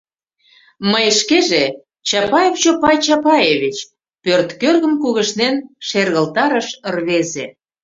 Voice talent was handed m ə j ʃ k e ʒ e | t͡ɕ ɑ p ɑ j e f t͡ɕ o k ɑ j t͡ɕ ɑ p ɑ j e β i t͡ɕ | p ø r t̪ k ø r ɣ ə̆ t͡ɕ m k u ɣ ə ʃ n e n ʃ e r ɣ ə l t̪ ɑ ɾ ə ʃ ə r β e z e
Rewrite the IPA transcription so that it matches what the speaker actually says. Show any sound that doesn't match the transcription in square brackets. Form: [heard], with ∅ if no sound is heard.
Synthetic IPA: m ə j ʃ k e ʒ e | t͡ɕ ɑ p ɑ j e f t͡ɕ o [p] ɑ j t͡ɕ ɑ p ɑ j e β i t͡ɕ | p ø r t̪ k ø r ɣ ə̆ [∅] m k u ɣ ə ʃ n e n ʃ e r ɣ ə l t̪ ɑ ɾ ə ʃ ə r β e z e